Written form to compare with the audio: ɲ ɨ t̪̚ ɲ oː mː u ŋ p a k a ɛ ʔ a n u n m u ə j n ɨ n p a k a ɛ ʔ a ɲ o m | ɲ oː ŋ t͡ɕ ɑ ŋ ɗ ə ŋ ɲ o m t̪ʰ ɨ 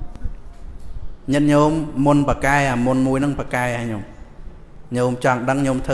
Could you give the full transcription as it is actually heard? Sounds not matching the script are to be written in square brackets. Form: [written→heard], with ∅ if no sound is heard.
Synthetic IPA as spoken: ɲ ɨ t̪̚ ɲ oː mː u [ŋ→n] p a k a ɛ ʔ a [n→m] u n m u ə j n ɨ [n→ŋ] p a k a ɛ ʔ a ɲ o m | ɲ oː [ŋ→m] t͡ɕ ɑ ŋ ɗ ə ŋ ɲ o m t̪ʰ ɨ